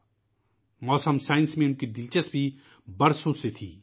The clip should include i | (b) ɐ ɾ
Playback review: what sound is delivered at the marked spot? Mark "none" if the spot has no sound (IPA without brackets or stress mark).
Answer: b